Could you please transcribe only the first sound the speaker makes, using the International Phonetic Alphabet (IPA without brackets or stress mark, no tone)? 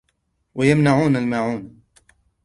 w